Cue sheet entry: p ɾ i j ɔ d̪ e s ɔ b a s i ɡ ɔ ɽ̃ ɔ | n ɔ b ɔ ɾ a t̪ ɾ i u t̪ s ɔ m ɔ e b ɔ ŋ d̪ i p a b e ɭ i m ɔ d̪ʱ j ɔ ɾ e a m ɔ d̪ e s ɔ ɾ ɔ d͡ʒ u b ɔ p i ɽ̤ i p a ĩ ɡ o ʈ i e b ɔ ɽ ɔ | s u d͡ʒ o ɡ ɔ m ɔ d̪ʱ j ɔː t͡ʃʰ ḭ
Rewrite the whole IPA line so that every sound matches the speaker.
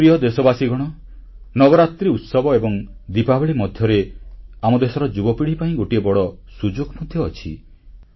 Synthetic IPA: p ɾ i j ɔ d̪ e s ɔ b a s i ɡ ɔ ɽ̃ ɔ | n ɔ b ɔ ɾ a t̪ ɾ i u t̪ s ɔ b ɔ e b ɔ ŋ d̪ i p a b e ɭ i m ɔ d̪ʱ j ɔ ɾ e a m ɔ d̪ e s ɔ ɾ ɔ d͡ʒ u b ɔ p i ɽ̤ i p a ĩ ɡ o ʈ i e b ɔ ɽ ɔ | s u d͡ʒ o ɡ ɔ m ɔ d̪ʱ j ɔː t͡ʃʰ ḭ